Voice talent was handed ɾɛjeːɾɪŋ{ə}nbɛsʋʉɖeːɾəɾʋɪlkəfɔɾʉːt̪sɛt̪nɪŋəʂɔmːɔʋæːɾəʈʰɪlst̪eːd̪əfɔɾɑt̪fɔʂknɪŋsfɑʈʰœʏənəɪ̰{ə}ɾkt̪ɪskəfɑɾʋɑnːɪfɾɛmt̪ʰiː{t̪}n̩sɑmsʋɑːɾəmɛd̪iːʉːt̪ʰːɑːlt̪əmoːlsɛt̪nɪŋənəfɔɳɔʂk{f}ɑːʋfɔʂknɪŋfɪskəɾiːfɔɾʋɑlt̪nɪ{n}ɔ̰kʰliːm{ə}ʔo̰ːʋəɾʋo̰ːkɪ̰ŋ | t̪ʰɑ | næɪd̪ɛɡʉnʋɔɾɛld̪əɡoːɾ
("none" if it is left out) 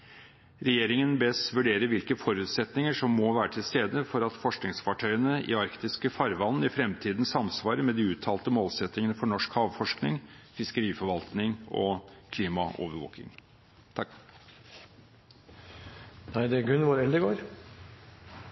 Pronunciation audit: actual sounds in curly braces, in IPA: ə, ɑ, d̪, h, ŋ, ɑ

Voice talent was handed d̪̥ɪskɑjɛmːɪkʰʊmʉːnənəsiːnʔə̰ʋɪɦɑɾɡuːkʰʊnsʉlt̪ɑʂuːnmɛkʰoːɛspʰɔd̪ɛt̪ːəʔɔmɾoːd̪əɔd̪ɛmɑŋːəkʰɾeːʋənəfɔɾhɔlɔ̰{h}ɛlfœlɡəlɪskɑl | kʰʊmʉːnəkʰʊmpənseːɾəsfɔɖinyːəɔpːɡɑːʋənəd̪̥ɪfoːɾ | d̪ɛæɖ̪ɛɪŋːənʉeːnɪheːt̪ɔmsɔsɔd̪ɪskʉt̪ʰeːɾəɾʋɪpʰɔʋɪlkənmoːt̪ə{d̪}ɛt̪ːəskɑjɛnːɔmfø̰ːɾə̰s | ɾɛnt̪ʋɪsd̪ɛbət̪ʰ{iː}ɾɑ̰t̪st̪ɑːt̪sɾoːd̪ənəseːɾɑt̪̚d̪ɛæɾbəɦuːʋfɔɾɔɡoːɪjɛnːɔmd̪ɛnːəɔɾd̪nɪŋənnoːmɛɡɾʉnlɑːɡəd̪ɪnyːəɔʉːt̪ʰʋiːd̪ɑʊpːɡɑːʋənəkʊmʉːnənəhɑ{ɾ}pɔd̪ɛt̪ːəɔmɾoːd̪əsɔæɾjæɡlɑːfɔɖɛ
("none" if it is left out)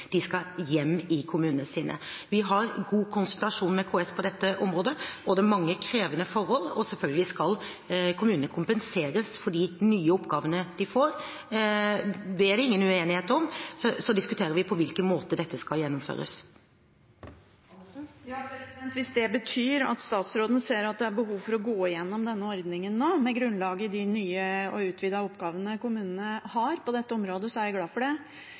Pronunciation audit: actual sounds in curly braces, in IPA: s, d̪, yː, ɾ

